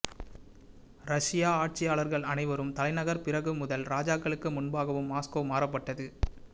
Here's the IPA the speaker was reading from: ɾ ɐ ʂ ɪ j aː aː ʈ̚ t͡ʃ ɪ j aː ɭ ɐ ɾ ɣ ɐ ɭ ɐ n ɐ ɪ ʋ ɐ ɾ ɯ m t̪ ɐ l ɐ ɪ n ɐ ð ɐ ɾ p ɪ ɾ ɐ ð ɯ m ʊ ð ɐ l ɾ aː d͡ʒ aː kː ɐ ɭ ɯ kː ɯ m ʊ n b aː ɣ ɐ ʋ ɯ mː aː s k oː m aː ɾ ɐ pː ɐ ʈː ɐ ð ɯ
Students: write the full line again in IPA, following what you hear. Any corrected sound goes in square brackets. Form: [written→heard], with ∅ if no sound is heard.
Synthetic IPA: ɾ ɐ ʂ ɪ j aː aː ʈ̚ t͡ʃ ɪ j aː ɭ ɐ ɾ ɣ ɐ ɭ ɐ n ɐ ɪ ʋ ɐ ɾ ɯ m t̪ ɐ l ɐ ɪ n ɐ [ð→ɣ] ɐ ɾ p ɪ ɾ ɐ [ð→ɣ] ɯ m ʊ ð ɐ l ɾ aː d͡ʒ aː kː ɐ ɭ ɯ kː ɯ m ʊ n b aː ɣ ɐ ʋ ɯ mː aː s k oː m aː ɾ ɐ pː ɐ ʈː ɐ ð ɯ